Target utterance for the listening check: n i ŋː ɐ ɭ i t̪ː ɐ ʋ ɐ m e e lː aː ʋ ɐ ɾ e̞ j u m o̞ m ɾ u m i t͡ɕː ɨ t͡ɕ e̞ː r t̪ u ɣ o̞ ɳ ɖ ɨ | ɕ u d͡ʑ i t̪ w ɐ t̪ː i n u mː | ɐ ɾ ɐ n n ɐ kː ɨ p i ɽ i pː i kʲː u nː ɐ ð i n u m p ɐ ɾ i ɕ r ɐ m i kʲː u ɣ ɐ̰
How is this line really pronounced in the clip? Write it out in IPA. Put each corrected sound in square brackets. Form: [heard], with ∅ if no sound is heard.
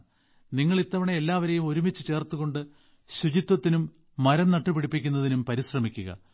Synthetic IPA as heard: n i ŋː ɐ ɭ i t̪ː ɐ ʋ ɐ [ɳ] e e lː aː ʋ ɐ ɾ e̞ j u m o̞ [∅] ɾ u m i t͡ɕː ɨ t͡ɕ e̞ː r t̪ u ɣ o̞ ɳ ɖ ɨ | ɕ u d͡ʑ i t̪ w ɐ t̪ː i n u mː | ɐ ɾ ɐ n n ɐ [ʈː] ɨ p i ɽ i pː i kʲː u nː ɐ ð i n u m p ɐ ɾ i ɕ r ɐ m i kʲː u ɣ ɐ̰

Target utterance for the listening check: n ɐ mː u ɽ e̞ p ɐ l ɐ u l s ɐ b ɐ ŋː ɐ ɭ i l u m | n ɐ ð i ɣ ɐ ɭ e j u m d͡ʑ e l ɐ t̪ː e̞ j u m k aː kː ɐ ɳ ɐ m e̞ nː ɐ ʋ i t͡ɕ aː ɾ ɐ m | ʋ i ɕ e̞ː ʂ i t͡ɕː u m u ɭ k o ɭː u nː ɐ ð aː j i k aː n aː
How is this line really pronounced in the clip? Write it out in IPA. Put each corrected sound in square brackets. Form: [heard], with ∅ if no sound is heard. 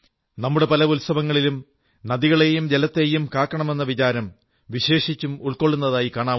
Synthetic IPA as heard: n ɐ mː u ɽ e̞ p ɐ l ɐ u l s ɐ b ɐ ŋː ɐ ɭ i l u m | n ɐ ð i ɣ ɐ ɭ e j u m d͡ʑ e l ɐ t̪ː e̞ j u m k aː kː ɐ ɳ ɐ m e̞ nː ɐ ʋ i t͡ɕ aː ɾ ɐ m | ʋ i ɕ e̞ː ʂ i t͡ɕː u m u ɭ k o ɭː u nː ɐ ð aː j i k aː [ɳ] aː

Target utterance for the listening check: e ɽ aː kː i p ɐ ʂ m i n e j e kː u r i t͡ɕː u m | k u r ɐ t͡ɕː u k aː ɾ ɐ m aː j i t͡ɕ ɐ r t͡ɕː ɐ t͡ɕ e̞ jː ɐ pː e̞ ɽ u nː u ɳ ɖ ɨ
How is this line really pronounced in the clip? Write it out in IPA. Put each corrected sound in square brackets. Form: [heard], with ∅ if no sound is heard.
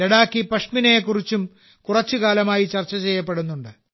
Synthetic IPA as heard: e ɽ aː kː i p ɐ ʂ m i n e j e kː u r i t͡ɕː u m | k u r ɐ t͡ɕː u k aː [l] ɐ m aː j i t͡ɕ ɐ r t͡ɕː ɐ t͡ɕ e̞ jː ɐ pː e̞ ɽ u nː u ɳ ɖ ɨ

